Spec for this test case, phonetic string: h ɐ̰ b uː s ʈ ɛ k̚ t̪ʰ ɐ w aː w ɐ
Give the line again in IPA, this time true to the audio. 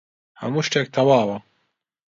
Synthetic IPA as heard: h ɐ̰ m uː ʃ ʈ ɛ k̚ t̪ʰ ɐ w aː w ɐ